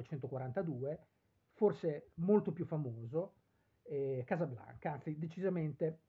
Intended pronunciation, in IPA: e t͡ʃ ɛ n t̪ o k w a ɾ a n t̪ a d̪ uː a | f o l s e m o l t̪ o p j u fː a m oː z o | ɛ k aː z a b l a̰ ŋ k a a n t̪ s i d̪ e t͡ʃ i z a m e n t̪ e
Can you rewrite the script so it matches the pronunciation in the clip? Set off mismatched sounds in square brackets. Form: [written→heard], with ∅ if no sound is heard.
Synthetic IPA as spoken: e t͡ʃ ɛ n t̪ o k w a ɾ a n t̪ a d̪ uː [a→e] | f o [l→r] s e m o l t̪ o p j u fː a m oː z o | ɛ k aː z a b l a̰ ŋ k a a n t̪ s i d̪ e t͡ʃ i z a m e n t̪ e